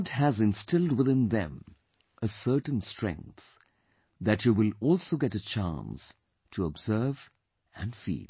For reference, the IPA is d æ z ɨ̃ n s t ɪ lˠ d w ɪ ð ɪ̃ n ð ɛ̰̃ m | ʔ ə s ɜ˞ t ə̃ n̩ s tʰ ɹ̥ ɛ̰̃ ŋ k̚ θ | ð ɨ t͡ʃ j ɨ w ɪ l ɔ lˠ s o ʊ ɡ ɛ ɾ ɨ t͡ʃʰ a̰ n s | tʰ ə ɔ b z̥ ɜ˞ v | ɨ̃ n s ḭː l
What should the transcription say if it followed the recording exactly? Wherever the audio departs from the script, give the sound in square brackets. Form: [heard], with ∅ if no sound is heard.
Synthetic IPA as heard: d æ z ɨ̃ n s t ɪ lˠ d w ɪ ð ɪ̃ n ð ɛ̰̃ m | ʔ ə s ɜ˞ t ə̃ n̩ s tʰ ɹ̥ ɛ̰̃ ŋ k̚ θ | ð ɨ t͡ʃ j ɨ w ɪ l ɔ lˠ s o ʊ ɡ ɛ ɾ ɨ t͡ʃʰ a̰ n s | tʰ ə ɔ b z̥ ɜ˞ v | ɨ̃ n [f] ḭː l